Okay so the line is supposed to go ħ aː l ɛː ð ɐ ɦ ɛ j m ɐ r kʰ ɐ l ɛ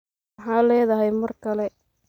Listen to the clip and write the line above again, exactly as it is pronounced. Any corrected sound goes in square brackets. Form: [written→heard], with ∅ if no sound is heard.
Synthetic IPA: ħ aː l ɛː ð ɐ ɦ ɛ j m ɐ r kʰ ɐ l ɛ